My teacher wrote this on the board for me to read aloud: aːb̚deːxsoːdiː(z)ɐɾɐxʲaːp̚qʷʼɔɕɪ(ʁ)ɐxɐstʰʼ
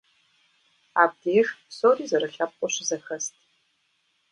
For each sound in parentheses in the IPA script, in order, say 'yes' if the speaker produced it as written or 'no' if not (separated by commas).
yes, no